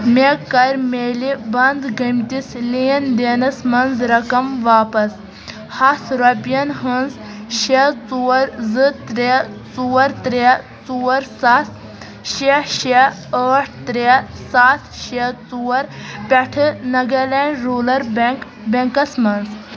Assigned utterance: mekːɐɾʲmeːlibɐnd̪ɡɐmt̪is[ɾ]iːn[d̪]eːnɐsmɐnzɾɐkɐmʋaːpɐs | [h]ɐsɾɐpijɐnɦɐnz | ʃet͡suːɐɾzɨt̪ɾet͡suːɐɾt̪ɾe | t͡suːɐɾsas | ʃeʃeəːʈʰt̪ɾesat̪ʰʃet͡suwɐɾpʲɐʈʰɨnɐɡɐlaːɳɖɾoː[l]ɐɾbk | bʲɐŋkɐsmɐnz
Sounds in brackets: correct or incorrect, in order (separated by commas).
incorrect, correct, correct, correct